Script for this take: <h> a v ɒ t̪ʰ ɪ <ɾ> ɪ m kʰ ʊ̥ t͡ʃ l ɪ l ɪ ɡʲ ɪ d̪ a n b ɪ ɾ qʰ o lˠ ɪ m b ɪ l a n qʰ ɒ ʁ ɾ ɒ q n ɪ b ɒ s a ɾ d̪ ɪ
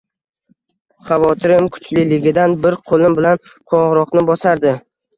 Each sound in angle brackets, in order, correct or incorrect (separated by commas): incorrect, correct